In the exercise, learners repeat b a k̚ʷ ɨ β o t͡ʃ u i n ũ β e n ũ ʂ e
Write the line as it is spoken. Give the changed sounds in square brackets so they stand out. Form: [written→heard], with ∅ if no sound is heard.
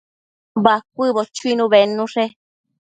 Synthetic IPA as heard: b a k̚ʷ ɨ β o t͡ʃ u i n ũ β e n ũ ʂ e